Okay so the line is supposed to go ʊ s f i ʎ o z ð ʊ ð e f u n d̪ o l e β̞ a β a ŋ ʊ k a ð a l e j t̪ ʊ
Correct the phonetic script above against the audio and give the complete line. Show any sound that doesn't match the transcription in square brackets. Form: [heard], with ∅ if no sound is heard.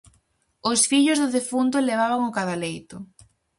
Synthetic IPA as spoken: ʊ s f i ʎ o z ð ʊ ð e f u n [t̪] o l e β̞ a β a ŋ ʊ k a ð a l e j t̪ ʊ

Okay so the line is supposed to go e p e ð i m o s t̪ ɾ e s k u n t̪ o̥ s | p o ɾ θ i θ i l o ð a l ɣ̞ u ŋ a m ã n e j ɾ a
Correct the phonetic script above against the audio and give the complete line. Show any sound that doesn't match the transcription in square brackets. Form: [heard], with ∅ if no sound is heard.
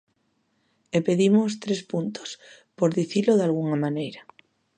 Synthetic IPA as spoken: e p e ð i m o s t̪ ɾ e s [p] u n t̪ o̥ s | p o ɾ [ð] i θ i l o ð a l ɣ̞ u ŋ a m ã n e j ɾ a

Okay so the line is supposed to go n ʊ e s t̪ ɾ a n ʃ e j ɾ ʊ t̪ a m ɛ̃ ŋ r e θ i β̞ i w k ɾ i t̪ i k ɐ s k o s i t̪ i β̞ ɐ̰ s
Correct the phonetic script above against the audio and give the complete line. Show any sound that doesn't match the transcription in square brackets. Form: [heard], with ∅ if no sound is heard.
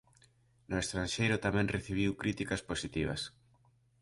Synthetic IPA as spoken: n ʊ e s t̪ ɾ a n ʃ e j ɾ ʊ t̪ a m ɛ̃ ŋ r e θ i β̞ i w k ɾ i t̪ i k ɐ s [p] o s i t̪ i β̞ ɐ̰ s

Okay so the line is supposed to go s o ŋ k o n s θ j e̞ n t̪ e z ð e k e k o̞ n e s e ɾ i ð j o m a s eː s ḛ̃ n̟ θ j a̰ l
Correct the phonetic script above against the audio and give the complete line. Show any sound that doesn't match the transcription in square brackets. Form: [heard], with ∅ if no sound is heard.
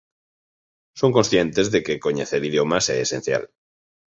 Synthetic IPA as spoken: s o ŋ k o n s θ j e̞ n t̪ e z ð e k e k o̞ [ɲ] e [θ] e ɾ i ð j o m a s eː s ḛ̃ n̟ θ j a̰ l

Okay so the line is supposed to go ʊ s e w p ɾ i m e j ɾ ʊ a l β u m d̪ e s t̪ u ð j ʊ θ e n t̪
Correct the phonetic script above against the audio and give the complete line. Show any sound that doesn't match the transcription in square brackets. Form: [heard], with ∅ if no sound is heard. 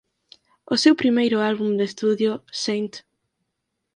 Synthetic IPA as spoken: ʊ s e w p ɾ i m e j ɾ ʊ a l β u m d̪ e s t̪ u ð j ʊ [s] e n t̪

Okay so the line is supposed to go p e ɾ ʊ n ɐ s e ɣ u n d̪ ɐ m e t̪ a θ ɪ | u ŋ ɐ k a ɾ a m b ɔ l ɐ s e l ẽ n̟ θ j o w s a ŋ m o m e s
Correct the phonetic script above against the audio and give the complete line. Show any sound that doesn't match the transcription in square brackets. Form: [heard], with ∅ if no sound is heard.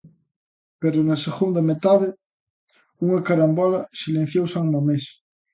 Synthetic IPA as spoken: p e ɾ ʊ n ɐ s e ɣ u n d̪ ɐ m e t̪ a [ð] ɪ | u ŋ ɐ k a ɾ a m b ɔ l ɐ s [i] l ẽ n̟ θ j o w s a ŋ m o m e s

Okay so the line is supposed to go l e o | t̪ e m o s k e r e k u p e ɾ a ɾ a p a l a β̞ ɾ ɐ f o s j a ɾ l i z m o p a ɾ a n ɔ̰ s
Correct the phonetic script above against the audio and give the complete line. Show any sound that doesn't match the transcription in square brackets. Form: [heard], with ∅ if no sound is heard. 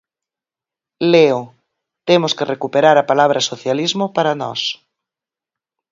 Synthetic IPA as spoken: l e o | t̪ e m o s k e r e k u p e ɾ a ɾ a p a l a β̞ ɾ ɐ [s] o [θ] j a [∅] l i z m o p a ɾ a n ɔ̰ s

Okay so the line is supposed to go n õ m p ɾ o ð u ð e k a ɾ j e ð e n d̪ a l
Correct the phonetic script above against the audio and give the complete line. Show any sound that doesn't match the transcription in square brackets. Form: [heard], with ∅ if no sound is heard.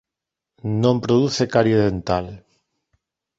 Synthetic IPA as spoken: n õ m p ɾ o ð u [θ] e k a ɾ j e ð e n [t̪] a l

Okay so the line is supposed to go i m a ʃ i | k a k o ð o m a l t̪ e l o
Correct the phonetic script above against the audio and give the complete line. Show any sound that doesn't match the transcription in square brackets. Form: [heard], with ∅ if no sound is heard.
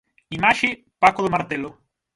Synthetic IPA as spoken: i m a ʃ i | [p] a k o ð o m a [ɾ] t̪ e l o

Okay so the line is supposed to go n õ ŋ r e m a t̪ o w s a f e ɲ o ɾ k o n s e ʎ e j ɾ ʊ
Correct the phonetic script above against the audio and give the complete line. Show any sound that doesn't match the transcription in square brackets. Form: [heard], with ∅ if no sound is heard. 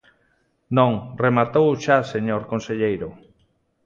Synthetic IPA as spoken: n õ ŋ r e m a t̪ o w [ʃ] a [s] e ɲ o ɾ k o n s e ʎ e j ɾ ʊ

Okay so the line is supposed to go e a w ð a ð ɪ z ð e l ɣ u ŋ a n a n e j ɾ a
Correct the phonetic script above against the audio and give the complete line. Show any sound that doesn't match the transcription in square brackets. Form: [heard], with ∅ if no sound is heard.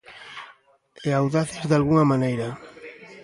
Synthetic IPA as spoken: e a w ð a [θ] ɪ z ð [a] l ɣ u ŋ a [m] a n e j ɾ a

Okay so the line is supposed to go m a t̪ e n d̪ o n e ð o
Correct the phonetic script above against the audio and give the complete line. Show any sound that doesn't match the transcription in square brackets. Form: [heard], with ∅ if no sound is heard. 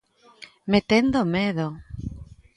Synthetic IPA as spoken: m [e] t̪ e n d̪ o [m] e ð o

